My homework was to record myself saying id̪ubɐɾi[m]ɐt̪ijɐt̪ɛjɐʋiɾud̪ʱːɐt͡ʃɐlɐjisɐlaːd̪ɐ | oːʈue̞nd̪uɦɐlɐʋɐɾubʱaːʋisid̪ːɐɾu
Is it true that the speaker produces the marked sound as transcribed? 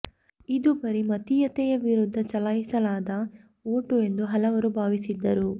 yes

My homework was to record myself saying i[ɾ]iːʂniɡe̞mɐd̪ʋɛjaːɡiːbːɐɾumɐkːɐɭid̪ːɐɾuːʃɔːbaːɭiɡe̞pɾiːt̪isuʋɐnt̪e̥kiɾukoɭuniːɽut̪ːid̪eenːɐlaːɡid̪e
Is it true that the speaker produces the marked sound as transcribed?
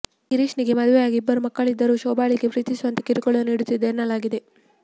yes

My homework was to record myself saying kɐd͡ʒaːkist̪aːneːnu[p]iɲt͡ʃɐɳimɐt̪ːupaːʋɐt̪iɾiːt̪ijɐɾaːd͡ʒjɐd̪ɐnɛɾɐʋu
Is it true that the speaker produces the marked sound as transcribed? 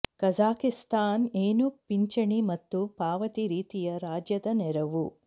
yes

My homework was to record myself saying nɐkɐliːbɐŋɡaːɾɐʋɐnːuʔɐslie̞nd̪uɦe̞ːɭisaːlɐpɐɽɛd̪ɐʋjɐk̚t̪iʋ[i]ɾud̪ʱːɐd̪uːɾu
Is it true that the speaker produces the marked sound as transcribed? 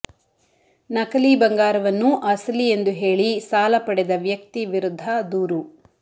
yes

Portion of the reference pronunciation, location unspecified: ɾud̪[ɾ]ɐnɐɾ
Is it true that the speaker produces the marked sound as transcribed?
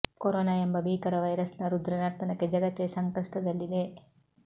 yes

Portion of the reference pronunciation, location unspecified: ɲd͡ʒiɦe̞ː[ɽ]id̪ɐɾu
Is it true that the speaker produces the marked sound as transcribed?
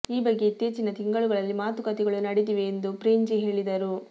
no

